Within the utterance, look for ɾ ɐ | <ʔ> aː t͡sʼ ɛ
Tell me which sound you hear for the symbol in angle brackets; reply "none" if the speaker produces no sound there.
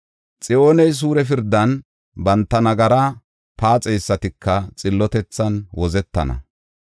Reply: p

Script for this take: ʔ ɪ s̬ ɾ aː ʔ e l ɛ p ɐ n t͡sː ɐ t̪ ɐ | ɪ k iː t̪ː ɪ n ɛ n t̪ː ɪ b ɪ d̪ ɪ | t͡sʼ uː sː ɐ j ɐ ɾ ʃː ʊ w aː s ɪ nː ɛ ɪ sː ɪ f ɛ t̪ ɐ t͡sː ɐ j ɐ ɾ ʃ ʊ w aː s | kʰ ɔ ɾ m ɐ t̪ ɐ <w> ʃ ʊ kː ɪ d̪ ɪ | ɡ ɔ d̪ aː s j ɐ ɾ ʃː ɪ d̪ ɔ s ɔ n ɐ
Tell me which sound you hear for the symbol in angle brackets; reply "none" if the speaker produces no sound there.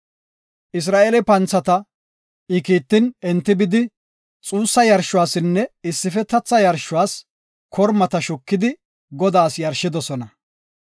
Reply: none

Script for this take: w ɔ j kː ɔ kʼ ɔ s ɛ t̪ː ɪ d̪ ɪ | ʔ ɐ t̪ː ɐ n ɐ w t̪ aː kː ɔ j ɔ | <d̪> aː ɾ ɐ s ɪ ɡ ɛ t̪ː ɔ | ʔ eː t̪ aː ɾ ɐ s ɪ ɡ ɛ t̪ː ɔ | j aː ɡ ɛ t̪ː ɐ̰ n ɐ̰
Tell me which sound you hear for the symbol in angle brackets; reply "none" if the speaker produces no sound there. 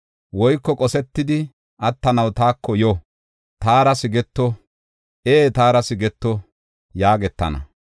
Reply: t̪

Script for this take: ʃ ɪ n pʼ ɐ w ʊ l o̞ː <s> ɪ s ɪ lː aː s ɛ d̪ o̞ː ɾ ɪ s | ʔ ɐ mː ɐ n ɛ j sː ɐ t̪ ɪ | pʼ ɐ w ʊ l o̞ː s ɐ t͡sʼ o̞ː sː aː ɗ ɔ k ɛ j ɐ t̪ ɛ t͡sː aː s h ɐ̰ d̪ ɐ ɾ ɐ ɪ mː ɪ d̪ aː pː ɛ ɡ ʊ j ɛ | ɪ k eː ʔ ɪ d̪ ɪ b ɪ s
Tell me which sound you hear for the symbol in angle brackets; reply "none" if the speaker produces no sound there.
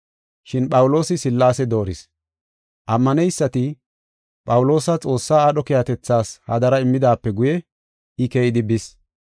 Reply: s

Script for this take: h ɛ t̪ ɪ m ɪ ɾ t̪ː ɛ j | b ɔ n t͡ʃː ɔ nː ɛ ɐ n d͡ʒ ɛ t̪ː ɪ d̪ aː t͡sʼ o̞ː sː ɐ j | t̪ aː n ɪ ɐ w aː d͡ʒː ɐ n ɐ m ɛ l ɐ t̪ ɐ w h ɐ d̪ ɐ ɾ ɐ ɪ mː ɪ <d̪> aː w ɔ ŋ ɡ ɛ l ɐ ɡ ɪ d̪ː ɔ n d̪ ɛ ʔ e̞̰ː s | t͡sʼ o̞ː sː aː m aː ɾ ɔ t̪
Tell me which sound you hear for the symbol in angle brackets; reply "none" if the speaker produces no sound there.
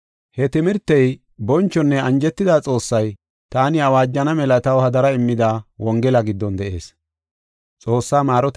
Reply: d̪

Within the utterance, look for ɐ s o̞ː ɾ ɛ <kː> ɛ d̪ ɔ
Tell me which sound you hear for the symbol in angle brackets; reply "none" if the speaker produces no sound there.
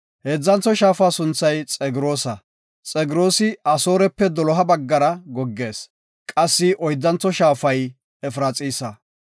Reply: pː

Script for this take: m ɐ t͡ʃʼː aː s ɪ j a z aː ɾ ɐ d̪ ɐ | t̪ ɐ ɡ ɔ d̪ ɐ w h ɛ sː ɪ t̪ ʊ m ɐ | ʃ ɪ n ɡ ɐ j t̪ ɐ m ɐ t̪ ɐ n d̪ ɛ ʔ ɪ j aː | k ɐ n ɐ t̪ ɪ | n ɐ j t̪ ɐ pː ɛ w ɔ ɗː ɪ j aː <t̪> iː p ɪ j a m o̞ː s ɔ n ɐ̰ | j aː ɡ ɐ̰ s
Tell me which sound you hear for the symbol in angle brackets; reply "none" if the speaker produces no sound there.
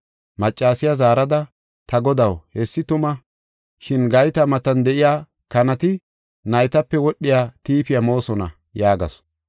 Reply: t̪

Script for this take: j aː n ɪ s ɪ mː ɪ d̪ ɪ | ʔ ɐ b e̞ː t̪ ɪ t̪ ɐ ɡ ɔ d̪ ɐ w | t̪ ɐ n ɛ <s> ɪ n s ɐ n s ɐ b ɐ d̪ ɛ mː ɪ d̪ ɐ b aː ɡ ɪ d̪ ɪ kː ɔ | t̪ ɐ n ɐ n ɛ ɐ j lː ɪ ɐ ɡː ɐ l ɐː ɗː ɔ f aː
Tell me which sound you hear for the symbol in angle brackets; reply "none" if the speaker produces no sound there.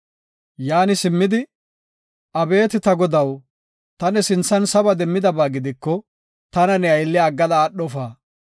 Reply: s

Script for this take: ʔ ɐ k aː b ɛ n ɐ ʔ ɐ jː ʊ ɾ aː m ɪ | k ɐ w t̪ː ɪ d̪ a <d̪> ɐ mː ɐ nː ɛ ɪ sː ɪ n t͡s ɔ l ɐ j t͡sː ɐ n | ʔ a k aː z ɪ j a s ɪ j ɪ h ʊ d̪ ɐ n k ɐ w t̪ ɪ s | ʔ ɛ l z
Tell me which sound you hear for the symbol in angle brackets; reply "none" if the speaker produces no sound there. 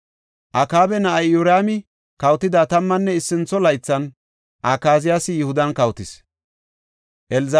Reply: t̪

